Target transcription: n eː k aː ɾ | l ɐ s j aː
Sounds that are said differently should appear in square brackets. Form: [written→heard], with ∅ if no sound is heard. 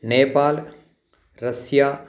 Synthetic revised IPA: n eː [k→p] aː [ɾ→l] | [l→ɾ] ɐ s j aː